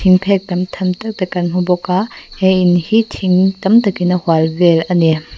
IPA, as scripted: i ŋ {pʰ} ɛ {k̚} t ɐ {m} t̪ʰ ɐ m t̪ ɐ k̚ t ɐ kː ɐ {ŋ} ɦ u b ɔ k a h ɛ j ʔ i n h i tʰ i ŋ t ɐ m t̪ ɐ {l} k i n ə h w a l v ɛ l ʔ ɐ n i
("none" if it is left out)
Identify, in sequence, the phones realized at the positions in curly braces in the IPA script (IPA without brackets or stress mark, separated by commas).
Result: pʰ, k̚, m, n, none